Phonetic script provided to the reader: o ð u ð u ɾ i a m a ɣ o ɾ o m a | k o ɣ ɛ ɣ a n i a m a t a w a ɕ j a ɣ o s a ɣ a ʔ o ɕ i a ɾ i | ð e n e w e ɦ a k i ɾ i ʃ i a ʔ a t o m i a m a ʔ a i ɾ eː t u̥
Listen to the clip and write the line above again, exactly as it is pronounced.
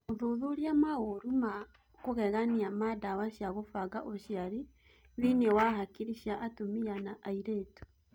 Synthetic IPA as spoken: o ð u ð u ɾ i a m a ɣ o ɾ u m a | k o ɣ ɛ ɣ a n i a m a d a w a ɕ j a ɣ o f a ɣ a ʔ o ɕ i a ɾ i | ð i n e w a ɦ a k i ɾ i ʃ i a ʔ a t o m i a n a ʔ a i ɾ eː t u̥